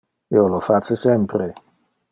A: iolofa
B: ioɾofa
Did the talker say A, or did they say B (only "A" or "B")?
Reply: A